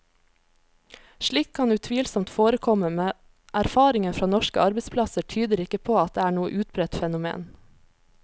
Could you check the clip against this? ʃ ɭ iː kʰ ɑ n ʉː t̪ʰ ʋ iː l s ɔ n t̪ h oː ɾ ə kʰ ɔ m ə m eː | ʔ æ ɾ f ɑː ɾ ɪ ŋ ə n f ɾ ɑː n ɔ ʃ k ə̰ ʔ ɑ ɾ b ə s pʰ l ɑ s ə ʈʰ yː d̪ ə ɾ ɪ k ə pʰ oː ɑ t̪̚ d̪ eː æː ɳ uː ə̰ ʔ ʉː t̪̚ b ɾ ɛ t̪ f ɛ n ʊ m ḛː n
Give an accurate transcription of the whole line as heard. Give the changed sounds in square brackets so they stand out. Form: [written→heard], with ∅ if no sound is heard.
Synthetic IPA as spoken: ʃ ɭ iː kʰ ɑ n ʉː t̪ʰ ʋ iː l s ɔ [n→m] t̪ [h→f] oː ɾ ə kʰ ɔ m ə m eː | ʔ æ ɾ f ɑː ɾ ɪ ŋ ə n f ɾ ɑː n ɔ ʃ k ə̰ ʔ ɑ ɾ b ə s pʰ l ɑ s ə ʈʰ yː d̪ ə ɾ ɪ k ə pʰ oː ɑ t̪̚ d̪ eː æː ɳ uː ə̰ ʔ ʉː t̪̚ b ɾ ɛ t̪ f ɛ n ʊ m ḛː n